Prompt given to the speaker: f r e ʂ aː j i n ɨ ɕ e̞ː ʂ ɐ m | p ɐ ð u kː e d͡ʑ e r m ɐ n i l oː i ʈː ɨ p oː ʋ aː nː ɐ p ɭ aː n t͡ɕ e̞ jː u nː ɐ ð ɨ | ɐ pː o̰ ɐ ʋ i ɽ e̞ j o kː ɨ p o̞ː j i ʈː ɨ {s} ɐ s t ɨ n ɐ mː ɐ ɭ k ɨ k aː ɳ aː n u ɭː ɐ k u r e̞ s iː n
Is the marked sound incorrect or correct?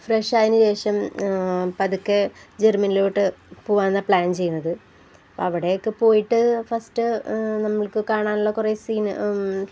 incorrect: f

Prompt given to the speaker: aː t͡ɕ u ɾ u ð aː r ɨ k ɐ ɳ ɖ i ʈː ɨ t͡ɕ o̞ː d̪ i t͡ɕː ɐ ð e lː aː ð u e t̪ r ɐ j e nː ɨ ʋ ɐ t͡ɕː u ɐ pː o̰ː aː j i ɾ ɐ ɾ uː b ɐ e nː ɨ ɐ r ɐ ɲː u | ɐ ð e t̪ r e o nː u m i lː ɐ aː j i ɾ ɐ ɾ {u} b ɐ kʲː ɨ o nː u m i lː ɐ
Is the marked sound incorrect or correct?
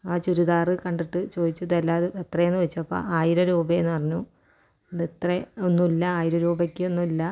incorrect: uː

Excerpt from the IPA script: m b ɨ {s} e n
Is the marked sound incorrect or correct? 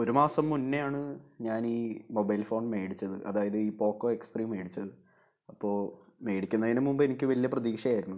incorrect: none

